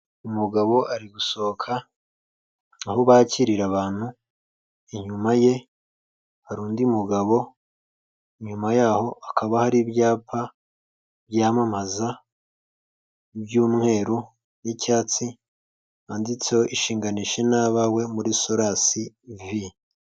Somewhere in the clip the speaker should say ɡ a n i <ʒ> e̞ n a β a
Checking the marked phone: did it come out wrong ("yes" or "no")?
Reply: yes